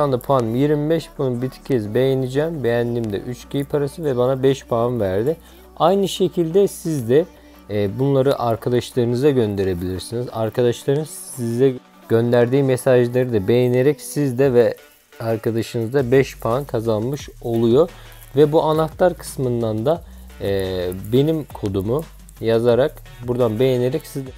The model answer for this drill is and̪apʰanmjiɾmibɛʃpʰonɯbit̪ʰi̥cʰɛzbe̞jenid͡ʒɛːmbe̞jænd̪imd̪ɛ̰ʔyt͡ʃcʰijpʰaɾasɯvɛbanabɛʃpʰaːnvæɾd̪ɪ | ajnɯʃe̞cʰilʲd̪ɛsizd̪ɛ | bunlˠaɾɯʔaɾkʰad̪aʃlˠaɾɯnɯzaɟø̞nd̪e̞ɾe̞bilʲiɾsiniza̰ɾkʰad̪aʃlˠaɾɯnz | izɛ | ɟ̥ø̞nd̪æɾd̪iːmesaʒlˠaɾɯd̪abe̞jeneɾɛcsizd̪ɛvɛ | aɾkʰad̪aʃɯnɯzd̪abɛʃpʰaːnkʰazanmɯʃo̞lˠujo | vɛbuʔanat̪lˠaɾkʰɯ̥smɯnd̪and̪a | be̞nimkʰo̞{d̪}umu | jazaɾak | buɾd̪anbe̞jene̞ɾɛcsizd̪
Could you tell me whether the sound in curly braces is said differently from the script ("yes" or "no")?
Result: no